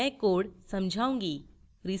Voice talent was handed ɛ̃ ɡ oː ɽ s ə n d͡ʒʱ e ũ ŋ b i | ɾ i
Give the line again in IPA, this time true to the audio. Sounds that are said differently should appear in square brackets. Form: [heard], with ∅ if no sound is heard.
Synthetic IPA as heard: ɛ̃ [k] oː ɽ s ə [m] d͡ʒʱ [a] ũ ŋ [ɡ] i | ɾ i